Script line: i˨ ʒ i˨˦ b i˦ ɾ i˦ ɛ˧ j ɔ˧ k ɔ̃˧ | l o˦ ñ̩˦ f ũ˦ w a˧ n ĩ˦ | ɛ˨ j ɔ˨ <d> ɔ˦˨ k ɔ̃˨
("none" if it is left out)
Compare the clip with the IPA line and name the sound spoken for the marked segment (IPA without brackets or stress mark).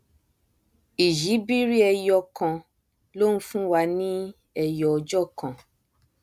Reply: d͡ʒ